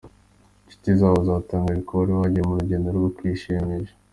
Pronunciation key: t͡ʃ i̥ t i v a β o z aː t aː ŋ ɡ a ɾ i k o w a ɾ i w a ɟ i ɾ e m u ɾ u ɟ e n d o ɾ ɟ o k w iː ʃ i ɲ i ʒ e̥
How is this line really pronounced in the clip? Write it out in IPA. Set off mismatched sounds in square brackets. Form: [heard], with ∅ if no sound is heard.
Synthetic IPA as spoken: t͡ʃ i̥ t i [z] a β o z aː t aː ŋ ɡ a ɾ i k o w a ɾ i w a ɟ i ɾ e m u ɾ u ɟ e n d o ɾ [ɡ] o k w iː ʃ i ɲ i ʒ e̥